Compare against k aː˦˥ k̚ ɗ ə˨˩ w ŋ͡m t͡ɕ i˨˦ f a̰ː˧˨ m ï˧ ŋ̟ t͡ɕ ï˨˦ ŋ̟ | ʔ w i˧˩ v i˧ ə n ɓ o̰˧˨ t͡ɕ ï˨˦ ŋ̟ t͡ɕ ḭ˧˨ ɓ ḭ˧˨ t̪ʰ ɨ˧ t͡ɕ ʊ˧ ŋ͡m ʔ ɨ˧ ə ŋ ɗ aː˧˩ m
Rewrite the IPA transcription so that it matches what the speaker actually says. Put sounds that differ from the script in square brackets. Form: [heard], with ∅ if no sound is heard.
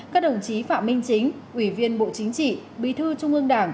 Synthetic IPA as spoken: k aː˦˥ k̚ ɗ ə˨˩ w ŋ͡m t͡ɕ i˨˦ f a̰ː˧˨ m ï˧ ŋ̟ t͡ɕ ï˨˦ ŋ̟ | ʔ w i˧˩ v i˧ ə n ɓ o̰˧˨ t͡ɕ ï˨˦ ŋ̟ t͡ɕ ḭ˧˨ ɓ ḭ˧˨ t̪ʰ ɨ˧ t͡ɕ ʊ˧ ŋ͡m ʔ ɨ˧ ə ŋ ɗ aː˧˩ [ŋ]